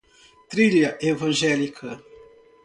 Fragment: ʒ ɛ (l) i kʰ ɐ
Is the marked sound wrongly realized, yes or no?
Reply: no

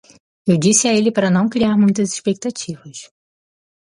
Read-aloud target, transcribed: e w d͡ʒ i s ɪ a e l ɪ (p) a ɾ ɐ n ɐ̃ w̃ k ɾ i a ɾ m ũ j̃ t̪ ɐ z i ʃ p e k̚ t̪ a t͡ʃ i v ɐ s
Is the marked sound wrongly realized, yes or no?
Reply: no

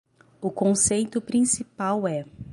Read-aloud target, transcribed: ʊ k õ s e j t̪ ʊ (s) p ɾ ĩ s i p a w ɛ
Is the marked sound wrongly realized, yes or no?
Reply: yes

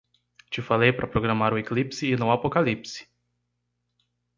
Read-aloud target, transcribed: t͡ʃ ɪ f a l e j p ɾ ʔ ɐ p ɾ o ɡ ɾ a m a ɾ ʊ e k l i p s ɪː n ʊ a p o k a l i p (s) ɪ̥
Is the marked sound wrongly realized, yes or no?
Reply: no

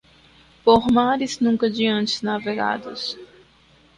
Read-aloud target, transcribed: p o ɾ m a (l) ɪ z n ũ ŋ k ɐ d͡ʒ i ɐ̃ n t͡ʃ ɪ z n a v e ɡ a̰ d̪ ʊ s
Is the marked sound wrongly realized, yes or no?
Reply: yes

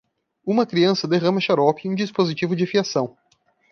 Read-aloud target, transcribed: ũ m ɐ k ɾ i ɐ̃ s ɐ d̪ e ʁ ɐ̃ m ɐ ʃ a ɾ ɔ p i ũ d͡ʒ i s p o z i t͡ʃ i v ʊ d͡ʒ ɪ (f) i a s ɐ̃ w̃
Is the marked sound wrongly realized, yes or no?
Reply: no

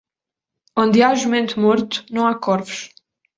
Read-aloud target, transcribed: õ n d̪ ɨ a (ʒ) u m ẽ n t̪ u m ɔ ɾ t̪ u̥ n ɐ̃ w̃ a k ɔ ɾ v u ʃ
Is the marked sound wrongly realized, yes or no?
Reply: no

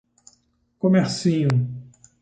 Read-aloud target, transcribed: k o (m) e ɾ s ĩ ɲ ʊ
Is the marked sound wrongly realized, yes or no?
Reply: no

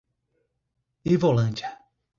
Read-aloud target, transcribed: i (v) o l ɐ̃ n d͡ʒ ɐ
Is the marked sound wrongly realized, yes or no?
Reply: no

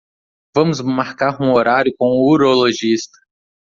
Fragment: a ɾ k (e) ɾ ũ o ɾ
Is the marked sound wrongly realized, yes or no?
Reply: yes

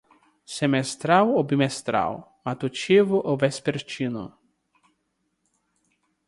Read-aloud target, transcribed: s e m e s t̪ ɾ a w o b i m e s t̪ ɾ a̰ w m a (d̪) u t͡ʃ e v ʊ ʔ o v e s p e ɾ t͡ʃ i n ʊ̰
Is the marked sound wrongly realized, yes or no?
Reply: yes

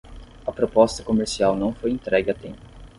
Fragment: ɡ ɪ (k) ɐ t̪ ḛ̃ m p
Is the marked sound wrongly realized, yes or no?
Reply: yes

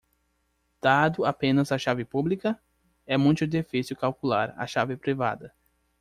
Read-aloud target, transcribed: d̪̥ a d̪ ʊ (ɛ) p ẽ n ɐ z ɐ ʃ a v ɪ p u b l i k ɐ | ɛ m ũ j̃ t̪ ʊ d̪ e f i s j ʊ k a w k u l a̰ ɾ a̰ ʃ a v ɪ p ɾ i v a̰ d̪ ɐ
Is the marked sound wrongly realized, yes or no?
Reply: yes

